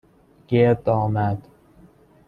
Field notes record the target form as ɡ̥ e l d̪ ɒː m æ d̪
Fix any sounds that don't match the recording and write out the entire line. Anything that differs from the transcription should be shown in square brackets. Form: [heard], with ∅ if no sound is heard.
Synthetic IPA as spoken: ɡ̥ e [ɾ] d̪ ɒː m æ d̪

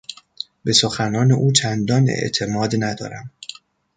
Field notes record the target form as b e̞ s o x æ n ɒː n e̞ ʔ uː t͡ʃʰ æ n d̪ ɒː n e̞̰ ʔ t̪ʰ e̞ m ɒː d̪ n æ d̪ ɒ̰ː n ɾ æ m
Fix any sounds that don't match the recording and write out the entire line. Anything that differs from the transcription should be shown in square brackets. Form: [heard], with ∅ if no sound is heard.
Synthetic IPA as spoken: b e̞ s o x æ n ɒː n e̞ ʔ uː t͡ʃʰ æ n d̪ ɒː n e̞̰ ʔ t̪ʰ e̞ m ɒː d̪ n æ d̪ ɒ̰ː [∅] ɾ æ m

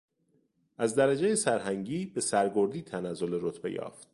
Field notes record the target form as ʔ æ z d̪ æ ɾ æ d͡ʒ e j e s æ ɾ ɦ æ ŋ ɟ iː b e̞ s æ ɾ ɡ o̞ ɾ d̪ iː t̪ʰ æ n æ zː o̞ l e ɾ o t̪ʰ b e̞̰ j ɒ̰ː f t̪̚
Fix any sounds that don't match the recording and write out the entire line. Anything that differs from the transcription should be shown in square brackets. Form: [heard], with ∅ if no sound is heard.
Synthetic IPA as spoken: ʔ æ z d̪ æ ɾ æ d͡ʒ e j e s æ ɾ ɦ æ ŋ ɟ iː b e̞ s æ ɾ ɡ o̞ ɾ d̪ iː t̪ʰ æ n æ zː o̞ l e ɾ o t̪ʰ b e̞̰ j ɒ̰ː f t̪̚

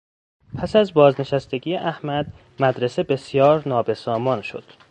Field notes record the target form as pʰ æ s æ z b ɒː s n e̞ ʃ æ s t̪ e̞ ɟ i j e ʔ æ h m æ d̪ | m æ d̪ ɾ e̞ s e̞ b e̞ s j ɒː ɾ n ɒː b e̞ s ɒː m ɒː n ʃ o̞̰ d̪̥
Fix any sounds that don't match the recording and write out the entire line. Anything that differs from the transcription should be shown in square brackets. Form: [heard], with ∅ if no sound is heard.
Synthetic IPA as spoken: pʰ æ s æ z b ɒː [z] n e̞ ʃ æ s t̪ e̞ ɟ i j e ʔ æ h m æ d̪ | m æ d̪ ɾ e̞ s e̞ b e̞ s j ɒː ɾ n ɒː b e̞ s ɒː m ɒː n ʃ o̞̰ d̪̥

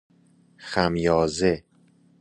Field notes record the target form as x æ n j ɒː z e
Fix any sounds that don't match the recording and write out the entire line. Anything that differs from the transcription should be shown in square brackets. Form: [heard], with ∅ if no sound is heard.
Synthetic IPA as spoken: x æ [m] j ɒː z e

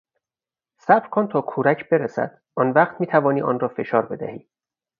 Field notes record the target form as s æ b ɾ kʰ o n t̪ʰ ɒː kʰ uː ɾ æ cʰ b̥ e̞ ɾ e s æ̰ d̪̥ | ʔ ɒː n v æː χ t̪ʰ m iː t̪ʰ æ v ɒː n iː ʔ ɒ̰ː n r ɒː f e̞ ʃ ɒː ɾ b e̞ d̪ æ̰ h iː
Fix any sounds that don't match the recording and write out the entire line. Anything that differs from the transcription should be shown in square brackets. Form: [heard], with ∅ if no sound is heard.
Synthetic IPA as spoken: s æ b ɾ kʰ o n t̪ʰ ɒː kʰ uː ɾ æ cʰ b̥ e̞ ɾ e s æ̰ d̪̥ | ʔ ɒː n v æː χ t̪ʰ m iː t̪ʰ æ v ɒː n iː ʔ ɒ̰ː n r ɒː f e̞ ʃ ɒː ɾ b e̞ d̪ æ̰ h iː

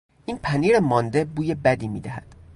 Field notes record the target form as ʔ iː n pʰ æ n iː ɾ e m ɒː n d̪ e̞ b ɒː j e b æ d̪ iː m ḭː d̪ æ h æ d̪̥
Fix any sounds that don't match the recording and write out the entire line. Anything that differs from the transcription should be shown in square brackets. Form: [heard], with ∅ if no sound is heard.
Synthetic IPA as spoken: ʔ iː n pʰ æ n iː ɾ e m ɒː n d̪ e̞ b [uː] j e b æ d̪ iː m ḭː d̪ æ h æ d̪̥

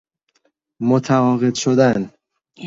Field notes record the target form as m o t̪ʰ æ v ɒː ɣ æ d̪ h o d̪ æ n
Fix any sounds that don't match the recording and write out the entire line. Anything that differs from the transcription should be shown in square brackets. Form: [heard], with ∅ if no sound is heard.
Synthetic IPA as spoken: m o t̪ʰ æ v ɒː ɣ [e] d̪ [ʃ] o d̪ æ n

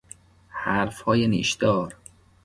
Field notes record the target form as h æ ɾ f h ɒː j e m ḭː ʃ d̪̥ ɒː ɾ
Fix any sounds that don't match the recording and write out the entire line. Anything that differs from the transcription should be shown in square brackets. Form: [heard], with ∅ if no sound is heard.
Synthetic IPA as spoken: h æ ɾ f h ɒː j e [n] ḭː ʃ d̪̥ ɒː ɾ

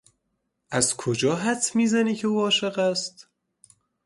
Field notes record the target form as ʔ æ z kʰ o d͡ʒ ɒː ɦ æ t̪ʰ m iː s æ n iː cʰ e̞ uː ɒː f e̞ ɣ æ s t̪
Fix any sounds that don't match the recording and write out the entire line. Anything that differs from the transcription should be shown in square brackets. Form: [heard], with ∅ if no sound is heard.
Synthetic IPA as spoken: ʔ æ z kʰ o d͡ʒ ɒː ɦ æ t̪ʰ m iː [z] æ n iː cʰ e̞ uː ɒː [ʃ] e̞ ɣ æ s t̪

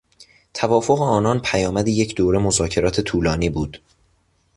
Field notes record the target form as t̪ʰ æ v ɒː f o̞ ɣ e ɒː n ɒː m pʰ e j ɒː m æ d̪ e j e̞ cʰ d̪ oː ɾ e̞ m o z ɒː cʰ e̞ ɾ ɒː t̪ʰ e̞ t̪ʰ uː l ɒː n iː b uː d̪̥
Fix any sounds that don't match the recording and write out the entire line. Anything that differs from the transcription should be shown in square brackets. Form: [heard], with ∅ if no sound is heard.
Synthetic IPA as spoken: t̪ʰ æ v ɒː f o̞ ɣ e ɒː n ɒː [n] pʰ [æ] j ɒː m æ d̪ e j e̞ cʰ d̪ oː ɾ e̞ m o z ɒː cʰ e̞ ɾ ɒː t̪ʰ e̞ t̪ʰ uː l ɒː n iː b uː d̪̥

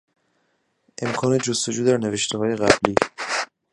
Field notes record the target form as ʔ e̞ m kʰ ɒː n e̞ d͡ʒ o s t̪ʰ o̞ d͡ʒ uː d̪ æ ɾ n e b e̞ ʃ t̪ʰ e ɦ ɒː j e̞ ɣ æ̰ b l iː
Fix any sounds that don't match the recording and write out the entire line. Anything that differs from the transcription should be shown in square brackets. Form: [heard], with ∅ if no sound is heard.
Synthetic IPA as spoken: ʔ e̞ m kʰ ɒː n e̞ d͡ʒ o s [t̪] o̞ d͡ʒ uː d̪ æ ɾ n e [v] e̞ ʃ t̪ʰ e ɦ ɒː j e̞ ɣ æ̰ b l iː

